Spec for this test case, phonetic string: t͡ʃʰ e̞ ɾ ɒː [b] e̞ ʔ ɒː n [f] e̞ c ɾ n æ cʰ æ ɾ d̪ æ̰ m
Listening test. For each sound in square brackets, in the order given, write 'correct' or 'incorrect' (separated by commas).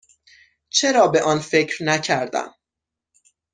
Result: correct, correct